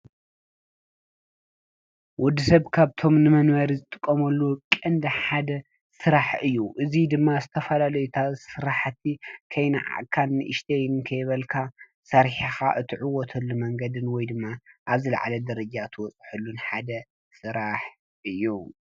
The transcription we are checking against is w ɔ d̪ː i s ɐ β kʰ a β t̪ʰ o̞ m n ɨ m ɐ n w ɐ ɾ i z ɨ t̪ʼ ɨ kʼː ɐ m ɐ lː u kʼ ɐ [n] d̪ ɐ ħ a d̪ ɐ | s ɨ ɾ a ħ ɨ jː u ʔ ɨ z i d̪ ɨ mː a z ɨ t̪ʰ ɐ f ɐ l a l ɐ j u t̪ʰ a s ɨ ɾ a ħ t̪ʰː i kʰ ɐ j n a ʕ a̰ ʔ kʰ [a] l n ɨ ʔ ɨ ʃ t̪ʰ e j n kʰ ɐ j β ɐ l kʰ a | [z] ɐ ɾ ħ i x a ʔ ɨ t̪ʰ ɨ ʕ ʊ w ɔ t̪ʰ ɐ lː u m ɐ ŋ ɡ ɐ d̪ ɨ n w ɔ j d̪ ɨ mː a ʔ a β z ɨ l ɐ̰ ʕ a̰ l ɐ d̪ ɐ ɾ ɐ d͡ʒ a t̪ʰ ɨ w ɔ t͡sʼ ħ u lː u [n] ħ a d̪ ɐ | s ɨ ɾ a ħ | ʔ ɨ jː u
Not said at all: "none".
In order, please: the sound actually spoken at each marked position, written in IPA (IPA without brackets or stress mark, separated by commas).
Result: n, a, s, n